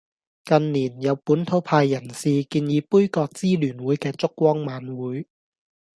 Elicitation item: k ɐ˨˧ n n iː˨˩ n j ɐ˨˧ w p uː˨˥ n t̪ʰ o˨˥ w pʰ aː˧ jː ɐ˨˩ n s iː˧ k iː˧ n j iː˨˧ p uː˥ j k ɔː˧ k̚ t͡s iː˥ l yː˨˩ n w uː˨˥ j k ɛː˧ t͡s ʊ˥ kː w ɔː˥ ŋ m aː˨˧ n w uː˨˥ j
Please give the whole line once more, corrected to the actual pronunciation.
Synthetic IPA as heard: k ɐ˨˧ n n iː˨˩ n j ɐ˨˧ w p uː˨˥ n t̪ʰ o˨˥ w pʰ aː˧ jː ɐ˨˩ n s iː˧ k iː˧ n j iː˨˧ p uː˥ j k ɔː˧ k̚ t͡s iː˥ l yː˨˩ n w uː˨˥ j k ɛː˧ t͡s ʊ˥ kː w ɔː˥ ŋ m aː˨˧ n w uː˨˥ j